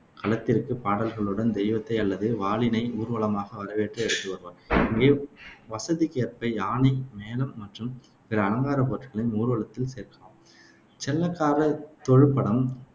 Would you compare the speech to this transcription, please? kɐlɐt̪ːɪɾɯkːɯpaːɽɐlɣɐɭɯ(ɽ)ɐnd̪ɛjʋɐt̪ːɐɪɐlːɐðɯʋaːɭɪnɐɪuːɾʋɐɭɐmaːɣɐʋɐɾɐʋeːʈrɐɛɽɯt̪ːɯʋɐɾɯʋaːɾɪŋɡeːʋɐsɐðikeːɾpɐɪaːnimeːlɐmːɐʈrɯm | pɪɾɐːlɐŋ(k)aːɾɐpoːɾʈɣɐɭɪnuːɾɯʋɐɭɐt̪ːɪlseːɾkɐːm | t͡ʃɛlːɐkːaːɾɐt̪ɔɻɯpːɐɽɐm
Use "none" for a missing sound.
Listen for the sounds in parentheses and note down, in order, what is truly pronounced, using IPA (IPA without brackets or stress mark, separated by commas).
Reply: ɽ, ɡ